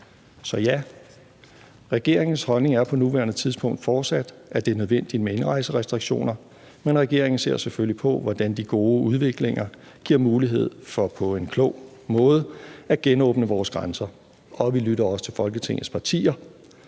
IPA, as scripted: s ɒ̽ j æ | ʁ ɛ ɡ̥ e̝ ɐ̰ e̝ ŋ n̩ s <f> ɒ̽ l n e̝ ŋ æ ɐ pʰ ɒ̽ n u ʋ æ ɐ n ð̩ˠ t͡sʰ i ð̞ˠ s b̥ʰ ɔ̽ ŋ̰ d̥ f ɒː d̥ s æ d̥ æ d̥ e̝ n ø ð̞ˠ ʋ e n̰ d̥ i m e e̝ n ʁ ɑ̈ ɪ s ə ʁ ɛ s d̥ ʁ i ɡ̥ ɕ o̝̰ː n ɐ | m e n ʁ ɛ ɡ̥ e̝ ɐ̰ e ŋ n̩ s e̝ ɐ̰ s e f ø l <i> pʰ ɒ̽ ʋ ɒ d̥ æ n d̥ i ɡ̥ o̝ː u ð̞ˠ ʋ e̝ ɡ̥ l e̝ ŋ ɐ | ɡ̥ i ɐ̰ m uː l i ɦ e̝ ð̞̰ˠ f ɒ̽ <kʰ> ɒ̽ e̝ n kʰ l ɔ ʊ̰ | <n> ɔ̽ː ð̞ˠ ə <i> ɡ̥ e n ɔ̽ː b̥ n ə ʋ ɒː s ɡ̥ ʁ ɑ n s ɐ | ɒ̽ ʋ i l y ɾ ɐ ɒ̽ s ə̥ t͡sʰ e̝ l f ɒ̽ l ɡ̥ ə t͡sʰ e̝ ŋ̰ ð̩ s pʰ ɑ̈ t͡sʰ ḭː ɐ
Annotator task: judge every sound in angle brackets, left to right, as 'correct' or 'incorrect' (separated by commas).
incorrect, correct, incorrect, incorrect, incorrect